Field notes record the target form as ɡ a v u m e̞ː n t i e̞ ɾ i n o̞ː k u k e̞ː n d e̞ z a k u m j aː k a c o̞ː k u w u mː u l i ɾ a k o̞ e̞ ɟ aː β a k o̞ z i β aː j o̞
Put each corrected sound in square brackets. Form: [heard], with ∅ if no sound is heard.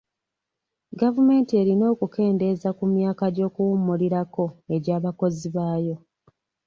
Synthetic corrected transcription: ɡ a v u m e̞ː n t i e̞ ɾ i n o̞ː k u k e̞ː n d e̞ z a k u m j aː k a [ɟ] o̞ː k u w u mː u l i ɾ a k o̞ e̞ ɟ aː β a k o̞ z i β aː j o̞